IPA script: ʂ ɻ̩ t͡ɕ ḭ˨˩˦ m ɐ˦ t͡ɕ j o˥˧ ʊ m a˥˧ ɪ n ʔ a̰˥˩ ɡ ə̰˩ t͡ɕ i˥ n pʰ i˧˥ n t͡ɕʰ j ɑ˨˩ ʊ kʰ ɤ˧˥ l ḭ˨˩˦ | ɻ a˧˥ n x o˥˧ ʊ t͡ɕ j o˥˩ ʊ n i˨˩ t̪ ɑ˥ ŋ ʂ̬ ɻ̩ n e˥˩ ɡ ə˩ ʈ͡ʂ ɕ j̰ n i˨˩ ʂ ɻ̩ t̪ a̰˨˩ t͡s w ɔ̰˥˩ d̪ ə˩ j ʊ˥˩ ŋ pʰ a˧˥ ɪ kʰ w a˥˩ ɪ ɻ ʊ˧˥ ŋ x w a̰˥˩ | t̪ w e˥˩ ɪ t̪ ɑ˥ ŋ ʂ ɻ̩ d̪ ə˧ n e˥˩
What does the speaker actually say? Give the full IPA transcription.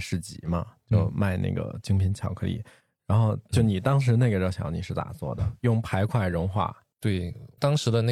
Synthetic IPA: ʂ ɻ̩ t͡ɕ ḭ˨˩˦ m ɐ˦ t͡ɕ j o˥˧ ʊ m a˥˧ ɪ n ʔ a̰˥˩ ɡ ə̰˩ t͡ɕ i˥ ŋ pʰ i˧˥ n t͡ɕʰ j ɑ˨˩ ʊ kʰ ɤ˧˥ l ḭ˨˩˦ | ɻ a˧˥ n x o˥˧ ʊ t͡ɕ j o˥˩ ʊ n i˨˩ t̪ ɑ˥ ŋ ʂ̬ ɻ̩ n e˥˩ ɡ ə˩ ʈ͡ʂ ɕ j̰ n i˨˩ ʂ ɻ̩ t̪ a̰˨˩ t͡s w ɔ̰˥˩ d̪ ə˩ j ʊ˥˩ ŋ pʰ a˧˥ ɪ kʰ w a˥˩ ɪ ɻ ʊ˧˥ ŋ x w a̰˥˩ | t̪ w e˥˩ ɪ t̪ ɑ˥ ŋ ʂ ɻ̩ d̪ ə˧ n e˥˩